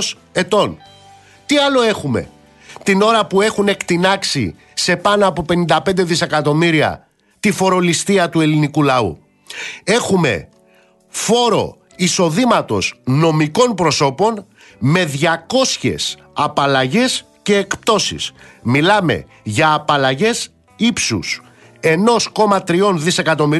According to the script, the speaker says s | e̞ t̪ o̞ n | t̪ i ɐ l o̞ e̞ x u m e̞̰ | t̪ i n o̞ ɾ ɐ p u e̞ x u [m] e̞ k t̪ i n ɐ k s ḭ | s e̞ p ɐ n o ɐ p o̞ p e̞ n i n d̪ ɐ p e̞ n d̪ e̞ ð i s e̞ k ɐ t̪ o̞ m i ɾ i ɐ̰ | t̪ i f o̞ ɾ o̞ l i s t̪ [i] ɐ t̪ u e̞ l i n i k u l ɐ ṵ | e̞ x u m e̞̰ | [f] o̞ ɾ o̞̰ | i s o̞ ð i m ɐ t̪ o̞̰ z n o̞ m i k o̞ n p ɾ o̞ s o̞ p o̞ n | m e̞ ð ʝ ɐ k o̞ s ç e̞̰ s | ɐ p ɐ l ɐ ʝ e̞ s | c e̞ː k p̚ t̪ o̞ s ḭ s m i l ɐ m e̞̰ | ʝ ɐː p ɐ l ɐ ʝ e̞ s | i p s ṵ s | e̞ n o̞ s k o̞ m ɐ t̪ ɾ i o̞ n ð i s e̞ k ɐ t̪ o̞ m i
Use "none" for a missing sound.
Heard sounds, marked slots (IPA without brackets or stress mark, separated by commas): n, i, f